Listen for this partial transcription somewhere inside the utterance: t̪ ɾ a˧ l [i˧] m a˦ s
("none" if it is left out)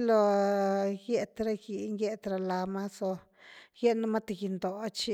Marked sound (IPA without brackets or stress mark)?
a˧